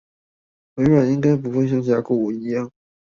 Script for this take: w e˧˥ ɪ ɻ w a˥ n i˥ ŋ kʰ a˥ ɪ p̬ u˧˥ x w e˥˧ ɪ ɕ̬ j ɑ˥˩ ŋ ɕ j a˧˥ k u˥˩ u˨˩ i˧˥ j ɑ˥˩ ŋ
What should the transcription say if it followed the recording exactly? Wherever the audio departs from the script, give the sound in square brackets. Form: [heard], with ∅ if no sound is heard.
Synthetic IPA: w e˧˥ ɪ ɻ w [a˨˩] n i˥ ŋ [k] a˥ ɪ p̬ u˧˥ x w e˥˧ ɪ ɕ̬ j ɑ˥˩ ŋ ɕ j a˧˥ k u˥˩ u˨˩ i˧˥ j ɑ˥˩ ŋ